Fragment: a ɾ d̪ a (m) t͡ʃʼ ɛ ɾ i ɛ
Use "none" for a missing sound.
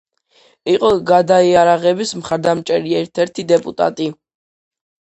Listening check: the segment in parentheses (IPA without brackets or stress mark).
m